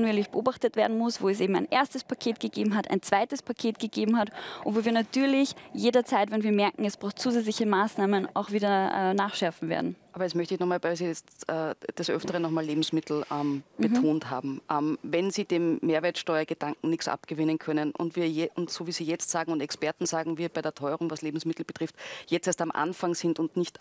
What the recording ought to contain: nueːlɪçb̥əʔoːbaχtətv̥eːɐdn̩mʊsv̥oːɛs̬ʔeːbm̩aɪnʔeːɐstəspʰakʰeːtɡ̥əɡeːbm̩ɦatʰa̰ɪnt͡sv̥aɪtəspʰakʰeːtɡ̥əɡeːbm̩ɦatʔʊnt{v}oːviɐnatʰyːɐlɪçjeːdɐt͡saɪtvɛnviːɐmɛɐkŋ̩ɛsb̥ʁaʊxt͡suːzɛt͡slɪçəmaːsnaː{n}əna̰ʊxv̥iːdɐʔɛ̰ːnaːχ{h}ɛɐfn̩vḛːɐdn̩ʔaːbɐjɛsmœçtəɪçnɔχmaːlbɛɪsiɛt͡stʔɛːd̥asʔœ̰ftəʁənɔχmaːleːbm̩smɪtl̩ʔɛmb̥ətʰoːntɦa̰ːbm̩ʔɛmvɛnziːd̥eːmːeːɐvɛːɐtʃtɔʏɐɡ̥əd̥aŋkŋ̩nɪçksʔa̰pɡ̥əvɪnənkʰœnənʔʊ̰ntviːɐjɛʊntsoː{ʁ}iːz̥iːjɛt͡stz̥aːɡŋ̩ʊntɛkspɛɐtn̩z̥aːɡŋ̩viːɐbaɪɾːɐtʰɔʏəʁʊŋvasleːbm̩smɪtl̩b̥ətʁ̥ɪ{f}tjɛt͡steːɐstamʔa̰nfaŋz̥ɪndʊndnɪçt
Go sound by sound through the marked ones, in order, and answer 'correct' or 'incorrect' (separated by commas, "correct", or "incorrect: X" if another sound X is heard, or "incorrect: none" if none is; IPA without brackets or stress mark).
correct, incorrect: m, incorrect: ʃ, incorrect: v, correct